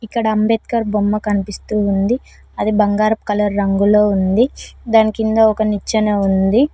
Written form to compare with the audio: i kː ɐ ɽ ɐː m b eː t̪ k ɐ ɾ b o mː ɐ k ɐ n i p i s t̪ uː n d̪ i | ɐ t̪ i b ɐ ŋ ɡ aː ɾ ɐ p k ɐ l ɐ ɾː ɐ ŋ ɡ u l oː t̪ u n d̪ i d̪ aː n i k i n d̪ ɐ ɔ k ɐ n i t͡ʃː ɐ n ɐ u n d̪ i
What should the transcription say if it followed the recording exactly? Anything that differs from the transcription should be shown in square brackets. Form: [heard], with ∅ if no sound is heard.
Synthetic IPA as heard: i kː ɐ ɽ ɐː m b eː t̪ k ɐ ɾ b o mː ɐ k ɐ n i p i s t̪ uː n d̪ i | ɐ [d̪] i b ɐ ŋ ɡ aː ɾ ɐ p k ɐ l ɐ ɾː ɐ ŋ ɡ u l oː [∅] u n d̪ i d̪ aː n i k i n d̪ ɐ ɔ k ɐ n i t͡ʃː ɐ n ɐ u n d̪ i

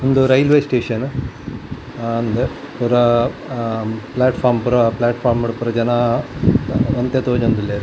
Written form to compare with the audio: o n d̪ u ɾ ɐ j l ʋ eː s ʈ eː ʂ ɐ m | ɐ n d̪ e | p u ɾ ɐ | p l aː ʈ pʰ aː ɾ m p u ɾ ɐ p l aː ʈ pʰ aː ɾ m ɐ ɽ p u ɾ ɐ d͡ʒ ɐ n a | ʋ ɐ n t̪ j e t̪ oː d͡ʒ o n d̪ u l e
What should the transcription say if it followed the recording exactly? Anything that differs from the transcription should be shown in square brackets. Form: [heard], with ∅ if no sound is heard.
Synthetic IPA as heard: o n d̪ u ɾ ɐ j l ʋ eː s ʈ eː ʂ ɐ [n] | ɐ n d̪ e | p u ɾ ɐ | p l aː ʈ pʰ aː ɾ m p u ɾ ɐ p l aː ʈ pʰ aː ɾ m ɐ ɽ p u ɾ ɐ d͡ʒ ɐ n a | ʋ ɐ n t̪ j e t̪ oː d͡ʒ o n d̪ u l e

